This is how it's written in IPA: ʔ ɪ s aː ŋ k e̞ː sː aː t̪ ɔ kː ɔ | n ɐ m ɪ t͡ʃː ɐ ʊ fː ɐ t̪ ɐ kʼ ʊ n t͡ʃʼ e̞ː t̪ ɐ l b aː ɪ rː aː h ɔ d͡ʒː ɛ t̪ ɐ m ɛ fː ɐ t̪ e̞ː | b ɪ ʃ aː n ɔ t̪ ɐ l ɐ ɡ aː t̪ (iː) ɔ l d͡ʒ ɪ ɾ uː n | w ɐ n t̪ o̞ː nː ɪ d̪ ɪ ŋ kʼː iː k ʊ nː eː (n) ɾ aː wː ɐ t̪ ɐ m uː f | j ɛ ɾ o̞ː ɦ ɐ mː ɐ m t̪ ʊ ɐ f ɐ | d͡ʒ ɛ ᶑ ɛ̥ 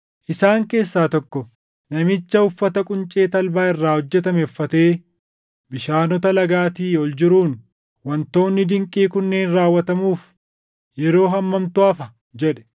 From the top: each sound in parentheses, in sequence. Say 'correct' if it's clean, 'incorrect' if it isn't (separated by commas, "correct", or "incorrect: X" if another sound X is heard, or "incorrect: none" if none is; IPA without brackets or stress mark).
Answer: correct, correct